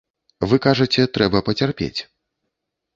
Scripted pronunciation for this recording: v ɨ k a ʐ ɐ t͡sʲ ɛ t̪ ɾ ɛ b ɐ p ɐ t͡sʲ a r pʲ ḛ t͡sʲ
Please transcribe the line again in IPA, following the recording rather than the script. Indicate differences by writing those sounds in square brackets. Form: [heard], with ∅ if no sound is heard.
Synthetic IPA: v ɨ k a ʐ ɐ t͡sʲ ɛ t̪ ɾ ɛ b ɐ p ɐ t͡sʲ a r pʲ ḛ t͡sʲ